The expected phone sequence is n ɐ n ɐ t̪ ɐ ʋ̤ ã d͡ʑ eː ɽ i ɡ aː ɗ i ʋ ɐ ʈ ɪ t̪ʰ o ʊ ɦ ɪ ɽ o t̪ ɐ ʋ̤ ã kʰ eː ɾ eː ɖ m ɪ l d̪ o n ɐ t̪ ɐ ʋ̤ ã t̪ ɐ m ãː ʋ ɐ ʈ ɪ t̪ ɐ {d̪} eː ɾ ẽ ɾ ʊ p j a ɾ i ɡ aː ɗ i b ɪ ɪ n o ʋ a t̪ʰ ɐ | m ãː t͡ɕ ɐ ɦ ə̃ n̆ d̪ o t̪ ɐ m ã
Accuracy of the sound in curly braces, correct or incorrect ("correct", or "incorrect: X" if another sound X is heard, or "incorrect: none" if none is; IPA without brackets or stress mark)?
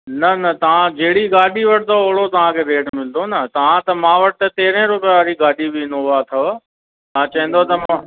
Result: incorrect: t̪